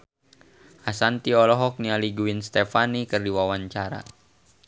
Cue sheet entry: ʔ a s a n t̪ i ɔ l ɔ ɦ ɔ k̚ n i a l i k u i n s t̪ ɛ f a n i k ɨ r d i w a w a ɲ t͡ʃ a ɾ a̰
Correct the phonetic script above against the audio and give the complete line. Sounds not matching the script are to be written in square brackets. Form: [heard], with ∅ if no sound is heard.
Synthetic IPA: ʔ a s a n t̪ i ɔ l ɔ ɦ ɔ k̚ n i a l i [ɡ] u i n s t̪ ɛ f a n i k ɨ r d i w a w a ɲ t͡ʃ a ɾ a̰